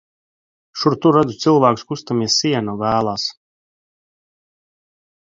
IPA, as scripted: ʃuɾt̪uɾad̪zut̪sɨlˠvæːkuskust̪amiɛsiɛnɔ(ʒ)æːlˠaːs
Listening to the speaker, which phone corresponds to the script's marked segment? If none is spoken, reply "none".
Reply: v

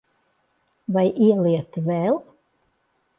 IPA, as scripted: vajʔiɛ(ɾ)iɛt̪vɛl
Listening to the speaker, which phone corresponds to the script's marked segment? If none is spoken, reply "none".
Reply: l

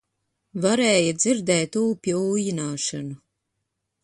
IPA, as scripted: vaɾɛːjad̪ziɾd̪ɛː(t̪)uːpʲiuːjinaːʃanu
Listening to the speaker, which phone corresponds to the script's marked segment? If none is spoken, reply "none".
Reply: t̪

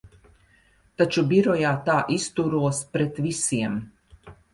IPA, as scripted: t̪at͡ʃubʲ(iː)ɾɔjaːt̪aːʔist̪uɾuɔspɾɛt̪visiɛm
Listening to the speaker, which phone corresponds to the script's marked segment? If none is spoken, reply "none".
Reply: i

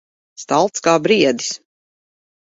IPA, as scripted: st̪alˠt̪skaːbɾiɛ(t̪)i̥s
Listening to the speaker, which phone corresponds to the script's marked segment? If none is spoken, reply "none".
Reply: d̪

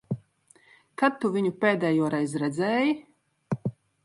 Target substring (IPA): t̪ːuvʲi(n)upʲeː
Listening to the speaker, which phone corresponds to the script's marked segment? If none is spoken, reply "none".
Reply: ɲ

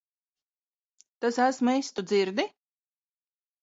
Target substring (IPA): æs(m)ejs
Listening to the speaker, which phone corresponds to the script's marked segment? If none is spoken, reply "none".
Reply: m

